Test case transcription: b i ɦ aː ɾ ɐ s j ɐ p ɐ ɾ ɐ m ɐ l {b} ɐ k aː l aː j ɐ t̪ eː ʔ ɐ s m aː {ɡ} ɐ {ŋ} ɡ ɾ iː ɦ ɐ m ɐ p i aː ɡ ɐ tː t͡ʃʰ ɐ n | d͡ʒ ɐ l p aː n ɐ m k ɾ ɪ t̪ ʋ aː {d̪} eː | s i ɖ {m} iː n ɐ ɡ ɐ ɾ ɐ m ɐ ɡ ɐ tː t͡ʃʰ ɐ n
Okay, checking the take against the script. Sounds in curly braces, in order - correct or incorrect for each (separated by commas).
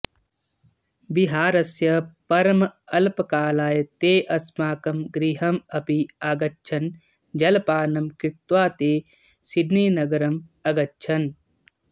incorrect, incorrect, incorrect, incorrect, incorrect